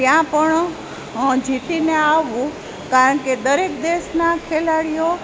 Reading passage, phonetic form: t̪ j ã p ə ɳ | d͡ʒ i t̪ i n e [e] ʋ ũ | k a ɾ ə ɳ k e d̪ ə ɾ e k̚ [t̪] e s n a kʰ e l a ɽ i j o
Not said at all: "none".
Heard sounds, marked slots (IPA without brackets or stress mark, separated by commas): a, d̪